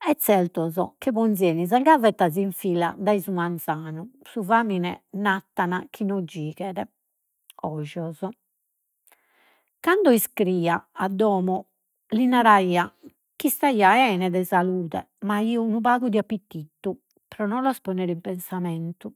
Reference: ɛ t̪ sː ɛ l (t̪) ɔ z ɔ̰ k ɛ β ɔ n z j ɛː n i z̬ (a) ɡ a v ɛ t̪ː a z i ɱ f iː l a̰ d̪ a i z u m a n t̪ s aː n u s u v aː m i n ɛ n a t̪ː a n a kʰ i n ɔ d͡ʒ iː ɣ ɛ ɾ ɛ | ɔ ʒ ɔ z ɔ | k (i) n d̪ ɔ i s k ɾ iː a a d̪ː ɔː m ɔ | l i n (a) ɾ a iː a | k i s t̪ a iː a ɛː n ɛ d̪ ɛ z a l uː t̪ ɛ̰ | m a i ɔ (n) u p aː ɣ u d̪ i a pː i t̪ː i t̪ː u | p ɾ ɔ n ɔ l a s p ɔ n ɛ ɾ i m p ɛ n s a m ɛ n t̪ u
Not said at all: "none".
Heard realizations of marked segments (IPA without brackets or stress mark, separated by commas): t̪, a, a, a, n